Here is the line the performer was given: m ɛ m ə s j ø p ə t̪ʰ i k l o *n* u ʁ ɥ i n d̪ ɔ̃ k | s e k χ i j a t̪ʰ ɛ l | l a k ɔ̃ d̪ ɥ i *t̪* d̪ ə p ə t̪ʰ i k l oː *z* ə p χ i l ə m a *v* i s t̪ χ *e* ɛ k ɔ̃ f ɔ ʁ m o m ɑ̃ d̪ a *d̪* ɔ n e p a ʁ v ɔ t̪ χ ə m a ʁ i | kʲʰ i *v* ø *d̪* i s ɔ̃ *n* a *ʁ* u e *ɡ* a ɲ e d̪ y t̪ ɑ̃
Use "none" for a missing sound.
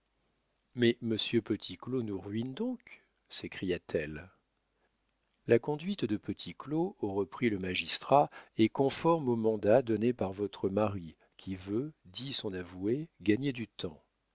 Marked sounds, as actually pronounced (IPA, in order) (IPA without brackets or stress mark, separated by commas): n, t̪, ʁ, ʒ, a, d̪, v, d̪, n, v, ɡ